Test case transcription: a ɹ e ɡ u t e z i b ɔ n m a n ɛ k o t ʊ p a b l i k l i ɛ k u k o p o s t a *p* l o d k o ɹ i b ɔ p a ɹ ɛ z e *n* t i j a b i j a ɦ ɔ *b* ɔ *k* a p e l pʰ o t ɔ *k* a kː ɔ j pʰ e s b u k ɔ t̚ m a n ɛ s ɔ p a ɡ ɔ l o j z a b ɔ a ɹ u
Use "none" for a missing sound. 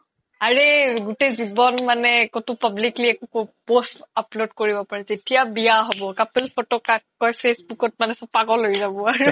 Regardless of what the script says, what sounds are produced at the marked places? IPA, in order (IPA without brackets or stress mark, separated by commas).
p, none, b, k, k